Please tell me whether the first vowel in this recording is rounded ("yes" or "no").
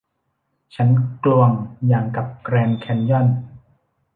no